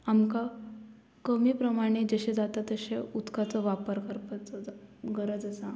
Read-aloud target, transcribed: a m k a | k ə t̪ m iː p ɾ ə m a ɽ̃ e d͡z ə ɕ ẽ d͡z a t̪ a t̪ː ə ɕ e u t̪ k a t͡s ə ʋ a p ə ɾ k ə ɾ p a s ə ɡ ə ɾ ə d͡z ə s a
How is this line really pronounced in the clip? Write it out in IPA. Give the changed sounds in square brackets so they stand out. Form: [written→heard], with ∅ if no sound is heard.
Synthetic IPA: a m k a | k ə [t̪→∅] m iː p ɾ ə m a ɽ̃ e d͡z ə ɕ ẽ d͡z a t̪ a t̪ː ə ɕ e u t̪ k a t͡s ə ʋ a p ə ɾ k ə ɾ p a [s→t͡s] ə ɡ ə ɾ ə d͡z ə s a